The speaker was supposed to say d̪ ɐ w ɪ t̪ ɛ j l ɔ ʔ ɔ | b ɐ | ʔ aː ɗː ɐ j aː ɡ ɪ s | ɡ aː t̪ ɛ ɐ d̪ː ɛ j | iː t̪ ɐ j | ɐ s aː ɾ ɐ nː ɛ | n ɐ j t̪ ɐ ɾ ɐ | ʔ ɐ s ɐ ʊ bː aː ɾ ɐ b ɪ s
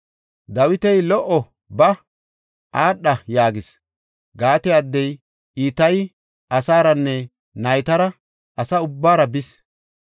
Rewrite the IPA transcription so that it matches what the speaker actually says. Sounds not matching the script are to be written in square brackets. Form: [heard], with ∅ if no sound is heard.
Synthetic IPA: d̪ ɐ w ɪ t̪ ɛ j l ɔ ʔ ɔ | b ɐ | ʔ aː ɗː ɐ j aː ɡ ɪ s | ɡ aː t̪ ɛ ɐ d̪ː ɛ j | iː t̪ ɐ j | ɐ s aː ɾ ɐ nː ɛ | n ɐ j t̪ ɐ ɾ ɐ | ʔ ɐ s ɐ ʊ bː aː ɾ ɐ b ɪ s